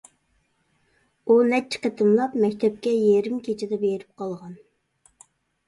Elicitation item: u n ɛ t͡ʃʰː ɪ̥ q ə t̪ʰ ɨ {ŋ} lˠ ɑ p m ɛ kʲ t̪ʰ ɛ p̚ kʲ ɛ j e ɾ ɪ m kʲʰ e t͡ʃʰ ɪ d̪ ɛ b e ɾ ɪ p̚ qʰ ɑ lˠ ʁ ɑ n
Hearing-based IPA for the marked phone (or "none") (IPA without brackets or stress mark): m